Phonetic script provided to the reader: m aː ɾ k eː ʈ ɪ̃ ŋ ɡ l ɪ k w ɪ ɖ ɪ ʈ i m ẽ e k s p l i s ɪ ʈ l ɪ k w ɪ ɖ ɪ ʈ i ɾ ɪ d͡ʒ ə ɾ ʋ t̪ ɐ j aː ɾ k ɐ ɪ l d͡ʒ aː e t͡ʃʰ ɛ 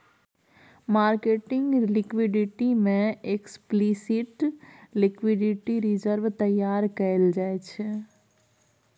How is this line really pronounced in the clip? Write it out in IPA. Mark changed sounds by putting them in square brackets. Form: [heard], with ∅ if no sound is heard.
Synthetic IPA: m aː ɾ k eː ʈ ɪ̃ ŋ ɡ l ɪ k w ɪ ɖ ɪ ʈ i m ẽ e k s p l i s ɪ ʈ l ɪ k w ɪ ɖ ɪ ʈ i ɾ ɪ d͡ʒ ə ɾ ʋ t̪ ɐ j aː ɾ k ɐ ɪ l d͡ʒ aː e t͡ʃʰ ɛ